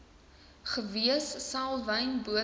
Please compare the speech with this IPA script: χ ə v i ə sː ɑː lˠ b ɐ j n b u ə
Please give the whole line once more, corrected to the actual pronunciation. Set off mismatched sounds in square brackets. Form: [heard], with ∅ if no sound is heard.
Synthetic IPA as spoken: χ ə v i ə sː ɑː lˠ [v] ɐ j n b u ə